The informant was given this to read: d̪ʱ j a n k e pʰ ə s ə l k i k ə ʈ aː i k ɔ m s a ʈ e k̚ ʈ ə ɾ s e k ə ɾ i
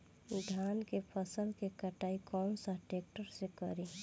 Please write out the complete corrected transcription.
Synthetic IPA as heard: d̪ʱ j a n k e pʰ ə s ə l k e k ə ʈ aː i k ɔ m s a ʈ e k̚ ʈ ə ɾ s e k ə ɾ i

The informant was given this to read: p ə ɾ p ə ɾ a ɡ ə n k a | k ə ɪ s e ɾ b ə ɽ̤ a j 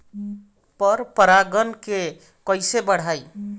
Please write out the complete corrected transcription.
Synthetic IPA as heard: p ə ɾ p ə ɾ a ɡ ə n k e | k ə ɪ s e b ə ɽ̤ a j

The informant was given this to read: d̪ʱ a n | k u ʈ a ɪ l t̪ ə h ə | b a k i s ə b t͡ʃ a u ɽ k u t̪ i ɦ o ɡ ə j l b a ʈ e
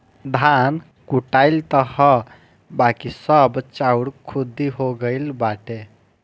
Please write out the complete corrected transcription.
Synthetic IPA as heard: d̪ʱ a n | k u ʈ a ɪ l t̪ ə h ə | b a k i s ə b t͡ʃ a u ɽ kʰ u d̪ i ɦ o ɡ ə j l b a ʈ e

